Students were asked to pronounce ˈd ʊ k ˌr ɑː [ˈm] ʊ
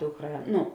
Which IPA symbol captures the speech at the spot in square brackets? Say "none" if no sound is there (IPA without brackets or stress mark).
n